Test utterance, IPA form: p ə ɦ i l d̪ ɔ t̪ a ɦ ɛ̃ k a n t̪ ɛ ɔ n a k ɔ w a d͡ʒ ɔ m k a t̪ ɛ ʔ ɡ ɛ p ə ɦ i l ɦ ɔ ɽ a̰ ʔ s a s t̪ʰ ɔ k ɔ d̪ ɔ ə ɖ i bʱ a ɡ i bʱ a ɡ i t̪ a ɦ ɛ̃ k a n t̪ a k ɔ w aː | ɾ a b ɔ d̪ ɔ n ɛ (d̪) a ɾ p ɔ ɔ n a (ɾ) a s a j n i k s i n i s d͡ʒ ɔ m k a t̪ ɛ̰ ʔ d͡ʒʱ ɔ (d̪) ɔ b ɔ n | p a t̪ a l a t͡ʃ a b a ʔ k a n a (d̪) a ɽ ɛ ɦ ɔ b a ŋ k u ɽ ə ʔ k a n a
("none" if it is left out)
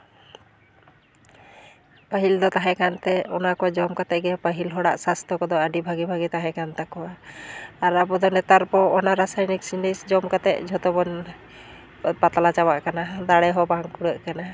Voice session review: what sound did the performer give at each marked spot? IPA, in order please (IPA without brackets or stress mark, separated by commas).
t̪, ɾ, t̪, d̪